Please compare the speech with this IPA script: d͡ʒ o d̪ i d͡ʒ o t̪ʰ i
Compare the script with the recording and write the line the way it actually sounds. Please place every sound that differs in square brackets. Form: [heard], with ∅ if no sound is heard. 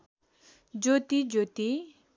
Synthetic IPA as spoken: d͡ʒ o [t̪] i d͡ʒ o [t̪] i